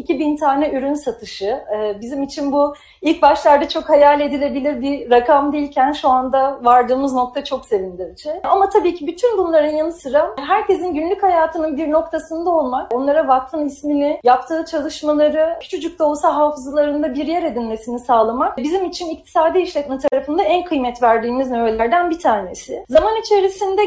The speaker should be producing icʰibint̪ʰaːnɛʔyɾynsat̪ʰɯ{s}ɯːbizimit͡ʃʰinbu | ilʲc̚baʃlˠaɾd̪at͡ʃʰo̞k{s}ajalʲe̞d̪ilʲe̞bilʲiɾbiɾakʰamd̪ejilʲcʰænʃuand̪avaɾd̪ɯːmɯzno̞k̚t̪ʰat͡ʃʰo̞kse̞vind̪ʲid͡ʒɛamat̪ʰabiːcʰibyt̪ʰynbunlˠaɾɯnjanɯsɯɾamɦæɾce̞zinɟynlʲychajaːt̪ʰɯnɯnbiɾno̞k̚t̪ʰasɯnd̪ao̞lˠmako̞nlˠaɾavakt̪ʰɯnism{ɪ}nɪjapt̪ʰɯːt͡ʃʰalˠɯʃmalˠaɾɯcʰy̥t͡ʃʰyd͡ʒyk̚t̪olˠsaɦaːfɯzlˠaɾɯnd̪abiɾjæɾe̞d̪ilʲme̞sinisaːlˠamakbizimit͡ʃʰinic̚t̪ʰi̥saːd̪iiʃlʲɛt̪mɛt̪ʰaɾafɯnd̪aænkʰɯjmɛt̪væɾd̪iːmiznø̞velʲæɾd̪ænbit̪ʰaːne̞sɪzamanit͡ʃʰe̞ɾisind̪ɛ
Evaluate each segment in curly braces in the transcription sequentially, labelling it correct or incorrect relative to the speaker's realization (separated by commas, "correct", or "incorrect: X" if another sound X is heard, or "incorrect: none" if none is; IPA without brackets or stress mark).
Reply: incorrect: ʃ, incorrect: h, incorrect: i